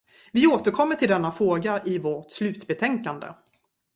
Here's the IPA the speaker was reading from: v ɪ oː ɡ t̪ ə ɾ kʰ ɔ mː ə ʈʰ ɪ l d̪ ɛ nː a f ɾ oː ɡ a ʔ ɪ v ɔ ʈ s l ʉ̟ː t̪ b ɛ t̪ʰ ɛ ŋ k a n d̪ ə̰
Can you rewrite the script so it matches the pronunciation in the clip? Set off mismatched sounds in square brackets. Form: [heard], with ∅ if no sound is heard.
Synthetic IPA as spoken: v ɪ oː [∅] t̪ ə ɾ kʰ ɔ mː ə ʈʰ ɪ l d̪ ɛ nː a f ɾ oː ɡ a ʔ ɪ v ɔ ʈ s l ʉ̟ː t̪ b ɛ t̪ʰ ɛ ŋ k a n d̪ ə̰